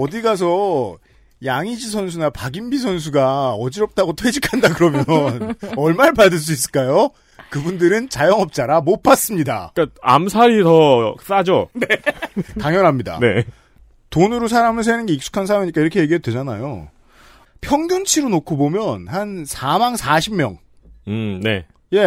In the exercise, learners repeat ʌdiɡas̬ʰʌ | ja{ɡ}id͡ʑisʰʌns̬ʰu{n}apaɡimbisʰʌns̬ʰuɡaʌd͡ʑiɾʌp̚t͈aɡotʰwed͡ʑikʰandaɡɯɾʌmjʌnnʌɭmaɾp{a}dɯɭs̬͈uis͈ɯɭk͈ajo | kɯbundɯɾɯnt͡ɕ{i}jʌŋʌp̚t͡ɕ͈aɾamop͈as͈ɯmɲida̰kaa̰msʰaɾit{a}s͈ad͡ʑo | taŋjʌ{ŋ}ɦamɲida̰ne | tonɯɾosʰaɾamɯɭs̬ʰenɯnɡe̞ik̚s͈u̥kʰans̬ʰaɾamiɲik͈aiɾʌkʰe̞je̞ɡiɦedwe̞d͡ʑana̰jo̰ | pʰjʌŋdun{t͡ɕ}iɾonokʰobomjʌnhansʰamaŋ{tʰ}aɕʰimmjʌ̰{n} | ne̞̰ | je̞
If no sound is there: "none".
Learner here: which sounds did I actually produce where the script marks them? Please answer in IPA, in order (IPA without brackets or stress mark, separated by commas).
ŋ, n, a, a, ʌ, n, t͡ɕʰ, sʰ, ŋ